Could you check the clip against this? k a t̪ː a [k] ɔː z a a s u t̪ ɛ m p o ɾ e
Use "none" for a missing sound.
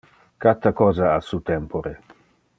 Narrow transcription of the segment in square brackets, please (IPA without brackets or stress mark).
k